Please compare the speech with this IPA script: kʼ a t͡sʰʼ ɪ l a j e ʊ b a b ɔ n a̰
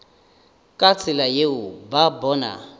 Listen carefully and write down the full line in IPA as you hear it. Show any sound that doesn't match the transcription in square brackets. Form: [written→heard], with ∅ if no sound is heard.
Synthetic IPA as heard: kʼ a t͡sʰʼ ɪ l a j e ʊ b a b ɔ n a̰